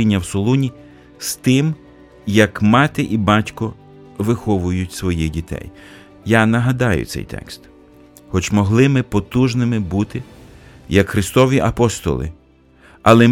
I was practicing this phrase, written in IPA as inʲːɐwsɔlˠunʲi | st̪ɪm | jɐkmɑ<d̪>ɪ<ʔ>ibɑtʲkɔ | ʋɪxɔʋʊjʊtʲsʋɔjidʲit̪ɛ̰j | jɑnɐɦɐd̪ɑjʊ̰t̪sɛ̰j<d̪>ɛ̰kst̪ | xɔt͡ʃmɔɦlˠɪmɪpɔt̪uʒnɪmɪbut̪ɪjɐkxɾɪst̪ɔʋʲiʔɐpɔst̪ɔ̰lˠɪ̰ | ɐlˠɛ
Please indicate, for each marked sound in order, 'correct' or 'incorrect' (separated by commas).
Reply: incorrect, correct, incorrect